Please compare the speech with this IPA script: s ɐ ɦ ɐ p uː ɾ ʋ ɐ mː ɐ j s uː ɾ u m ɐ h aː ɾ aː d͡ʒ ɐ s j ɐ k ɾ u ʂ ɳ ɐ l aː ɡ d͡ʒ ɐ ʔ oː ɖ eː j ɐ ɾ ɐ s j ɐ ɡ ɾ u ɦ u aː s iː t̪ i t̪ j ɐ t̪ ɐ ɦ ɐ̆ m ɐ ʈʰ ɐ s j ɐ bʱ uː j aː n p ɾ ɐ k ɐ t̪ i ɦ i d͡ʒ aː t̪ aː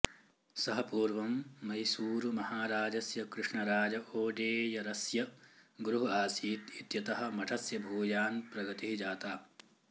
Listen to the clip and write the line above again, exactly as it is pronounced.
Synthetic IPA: s ɐ ɦ ɐ p uː ɾ ʋ ɐ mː ɐ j s uː ɾ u m ɐ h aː ɾ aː d͡ʒ ɐ s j ɐ k ɾ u ʂ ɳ ɐ ɾ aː d͡ʒ ɐ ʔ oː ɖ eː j ɐ ɾ ɐ s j ɐ ɡ ɾ u ɦ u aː s iː t̪ i t̪ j ɐ t̪ ɐ ɦ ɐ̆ m ɐ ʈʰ ɐ s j ɐ bʱ uː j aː n p ɾ ɐ ɡ ɐ t̪ i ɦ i d͡ʒ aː t̪ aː

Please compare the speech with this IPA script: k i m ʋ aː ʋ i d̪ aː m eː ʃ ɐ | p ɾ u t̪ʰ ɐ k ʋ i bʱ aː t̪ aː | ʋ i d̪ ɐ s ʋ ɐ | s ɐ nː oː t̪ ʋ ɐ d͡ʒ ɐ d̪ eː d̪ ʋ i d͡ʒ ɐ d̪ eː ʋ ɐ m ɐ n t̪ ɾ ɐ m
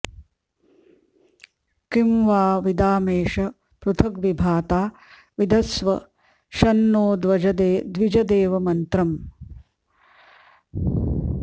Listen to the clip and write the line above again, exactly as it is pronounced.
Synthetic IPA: k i m ʋ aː ʋ i d̪ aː m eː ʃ ɐ | p ɾ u t̪ʰ ɐ k ʋ i bʱ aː t̪ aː | ʋ i d̪ ɐ s ʋ ɐ | ʃ ɐ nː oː d̪ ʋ ɐ d͡ʒ ɐ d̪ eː d̪ ʋ i d͡ʒ ɐ d̪ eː ʋ ɐ m ɐ n t̪ ɾ ɐ m

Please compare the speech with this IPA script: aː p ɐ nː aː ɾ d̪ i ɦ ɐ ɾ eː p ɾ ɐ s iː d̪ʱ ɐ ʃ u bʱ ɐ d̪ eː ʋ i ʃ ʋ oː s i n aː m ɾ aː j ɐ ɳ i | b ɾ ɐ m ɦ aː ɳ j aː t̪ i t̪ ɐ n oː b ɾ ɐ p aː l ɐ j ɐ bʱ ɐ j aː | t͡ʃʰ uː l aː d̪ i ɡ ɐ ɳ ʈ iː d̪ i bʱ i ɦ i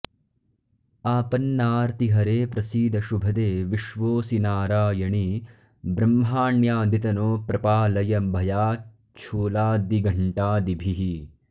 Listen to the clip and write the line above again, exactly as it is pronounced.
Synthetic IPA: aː p ɐ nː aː ɾ t̪ i ɦ ɐ ɾ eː p ɾ ɐ s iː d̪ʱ ɐ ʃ u bʱ ɐ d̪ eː ʋ i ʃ ʋ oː s i n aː ɾ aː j ɐ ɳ i | b ɾ ɐ m ɦ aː ɳ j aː d̪ i t̪ ɐ n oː p ɾ ɐ p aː l ɐ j ɐ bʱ ɐ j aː | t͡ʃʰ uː l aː d̪ i ɡ ɐ ɳ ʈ aː d̪ i bʱ i ɦ i

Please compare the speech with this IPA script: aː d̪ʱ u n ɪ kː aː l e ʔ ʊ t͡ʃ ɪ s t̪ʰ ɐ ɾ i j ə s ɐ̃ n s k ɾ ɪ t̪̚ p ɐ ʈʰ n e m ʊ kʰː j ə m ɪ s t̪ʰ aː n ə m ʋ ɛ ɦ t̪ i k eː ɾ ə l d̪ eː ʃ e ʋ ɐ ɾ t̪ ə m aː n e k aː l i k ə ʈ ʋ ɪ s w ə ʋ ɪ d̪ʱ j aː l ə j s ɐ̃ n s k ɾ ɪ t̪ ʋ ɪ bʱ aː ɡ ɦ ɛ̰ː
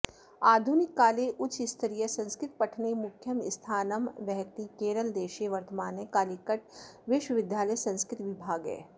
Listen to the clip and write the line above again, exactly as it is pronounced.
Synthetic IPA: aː d̪ʱ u n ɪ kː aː l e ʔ ʊ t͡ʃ ɪ s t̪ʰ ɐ ɾ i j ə s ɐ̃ n s k ɾ ɪ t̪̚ p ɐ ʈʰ n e m ʊ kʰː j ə m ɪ s t̪ʰ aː n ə m ʋ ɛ ɦ t̪ i k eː ɾ ə l d̪ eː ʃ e ʋ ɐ ɾ t̪ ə m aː n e k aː l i k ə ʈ ʋ ɪ ʃ w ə ʋ ɪ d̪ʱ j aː l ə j s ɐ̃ n s k ɾ ɪ t̪ ʋ ɪ bʱ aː ɡ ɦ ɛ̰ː

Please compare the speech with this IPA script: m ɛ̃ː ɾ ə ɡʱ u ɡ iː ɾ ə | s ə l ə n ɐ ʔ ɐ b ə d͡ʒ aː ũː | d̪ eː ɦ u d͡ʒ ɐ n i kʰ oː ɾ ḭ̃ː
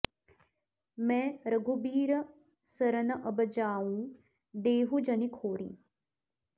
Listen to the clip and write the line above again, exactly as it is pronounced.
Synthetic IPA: m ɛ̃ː ɾ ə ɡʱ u b iː ɾ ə | s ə ɾ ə n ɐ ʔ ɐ b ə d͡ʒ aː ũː | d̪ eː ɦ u d͡ʒ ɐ n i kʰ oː ɾ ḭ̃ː

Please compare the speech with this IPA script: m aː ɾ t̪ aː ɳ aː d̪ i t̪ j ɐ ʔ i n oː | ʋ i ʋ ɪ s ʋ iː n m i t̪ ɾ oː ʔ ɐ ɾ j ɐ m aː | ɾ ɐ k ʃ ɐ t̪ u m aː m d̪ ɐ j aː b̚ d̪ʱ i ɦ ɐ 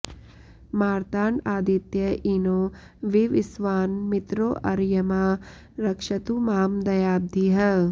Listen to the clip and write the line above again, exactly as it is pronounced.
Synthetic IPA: m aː ɾ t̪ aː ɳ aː d̪ i t̪ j ɐ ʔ i n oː | ʋ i ʋ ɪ s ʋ aː n m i t̪ ɾ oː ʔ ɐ ɾ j ɐ m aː | ɾ ɐ k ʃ ɐ t̪ u m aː m d̪ ɐ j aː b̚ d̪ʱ i ɦ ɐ

